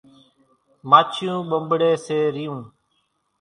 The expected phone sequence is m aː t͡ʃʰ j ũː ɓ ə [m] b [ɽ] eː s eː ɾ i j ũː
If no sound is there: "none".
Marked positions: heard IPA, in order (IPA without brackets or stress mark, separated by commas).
m, ɽ